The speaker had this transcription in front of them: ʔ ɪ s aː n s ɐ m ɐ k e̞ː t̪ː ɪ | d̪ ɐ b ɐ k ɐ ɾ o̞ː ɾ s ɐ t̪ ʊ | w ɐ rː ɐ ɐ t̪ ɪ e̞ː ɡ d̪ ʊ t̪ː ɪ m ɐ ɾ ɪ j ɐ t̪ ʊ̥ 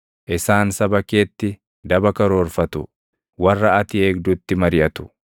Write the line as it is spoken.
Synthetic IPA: ʔ ɪ s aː n s ɐ b ɐ k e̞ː t̪ː ɪ | d̪ ɐ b ɐ k ɐ ɾ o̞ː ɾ f ɐ t̪ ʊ | w ɐ rː ɐ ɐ t̪ ɪ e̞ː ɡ d̪ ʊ t̪ː ɪ m ɐ ɾ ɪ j ɐ t̪ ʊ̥